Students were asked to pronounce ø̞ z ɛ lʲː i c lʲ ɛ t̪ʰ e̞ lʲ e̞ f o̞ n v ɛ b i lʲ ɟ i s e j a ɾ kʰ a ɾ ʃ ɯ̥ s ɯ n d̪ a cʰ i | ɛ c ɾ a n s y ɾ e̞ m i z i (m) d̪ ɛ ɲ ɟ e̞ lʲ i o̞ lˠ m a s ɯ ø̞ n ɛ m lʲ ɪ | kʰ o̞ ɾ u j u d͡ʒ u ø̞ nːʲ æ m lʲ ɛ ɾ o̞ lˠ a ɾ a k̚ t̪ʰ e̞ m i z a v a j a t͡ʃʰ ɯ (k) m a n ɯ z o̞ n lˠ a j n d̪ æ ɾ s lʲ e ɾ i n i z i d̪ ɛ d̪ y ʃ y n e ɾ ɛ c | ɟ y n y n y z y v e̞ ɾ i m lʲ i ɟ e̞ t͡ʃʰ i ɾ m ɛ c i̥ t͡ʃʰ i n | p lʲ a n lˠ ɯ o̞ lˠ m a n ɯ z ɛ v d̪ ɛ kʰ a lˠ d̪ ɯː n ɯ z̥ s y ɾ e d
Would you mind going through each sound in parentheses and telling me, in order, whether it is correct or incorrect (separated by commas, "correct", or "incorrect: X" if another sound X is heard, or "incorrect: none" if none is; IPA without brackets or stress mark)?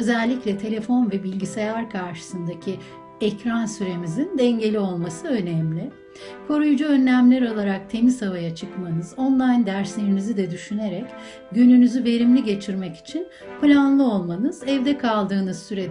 incorrect: n, correct